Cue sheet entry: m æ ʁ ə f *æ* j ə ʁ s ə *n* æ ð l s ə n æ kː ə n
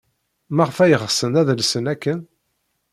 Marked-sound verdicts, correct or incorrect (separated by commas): correct, correct